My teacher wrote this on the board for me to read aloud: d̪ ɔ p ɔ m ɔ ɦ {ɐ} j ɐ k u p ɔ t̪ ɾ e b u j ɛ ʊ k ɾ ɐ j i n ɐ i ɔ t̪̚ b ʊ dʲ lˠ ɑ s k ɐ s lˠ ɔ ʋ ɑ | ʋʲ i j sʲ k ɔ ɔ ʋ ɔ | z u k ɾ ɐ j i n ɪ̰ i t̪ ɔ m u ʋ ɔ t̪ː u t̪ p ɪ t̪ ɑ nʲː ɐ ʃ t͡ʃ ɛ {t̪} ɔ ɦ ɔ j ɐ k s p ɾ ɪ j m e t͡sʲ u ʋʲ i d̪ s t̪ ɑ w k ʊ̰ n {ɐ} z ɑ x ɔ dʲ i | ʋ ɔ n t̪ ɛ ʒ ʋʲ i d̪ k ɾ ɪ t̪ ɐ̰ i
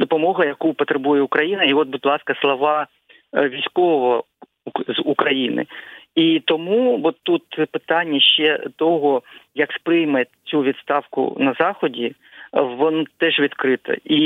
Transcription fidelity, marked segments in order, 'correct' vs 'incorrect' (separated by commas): correct, correct, correct